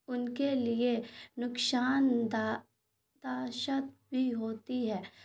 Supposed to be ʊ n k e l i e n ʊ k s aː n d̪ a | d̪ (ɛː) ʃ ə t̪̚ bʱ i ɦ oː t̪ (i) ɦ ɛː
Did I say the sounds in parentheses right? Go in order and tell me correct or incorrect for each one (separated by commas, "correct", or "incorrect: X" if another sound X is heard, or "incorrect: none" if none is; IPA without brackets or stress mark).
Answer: incorrect: aː, correct